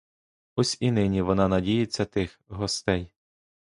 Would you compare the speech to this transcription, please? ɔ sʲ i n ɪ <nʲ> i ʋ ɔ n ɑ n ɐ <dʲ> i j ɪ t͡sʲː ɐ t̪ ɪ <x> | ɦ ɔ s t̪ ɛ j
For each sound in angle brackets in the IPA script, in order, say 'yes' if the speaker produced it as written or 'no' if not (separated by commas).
yes, yes, yes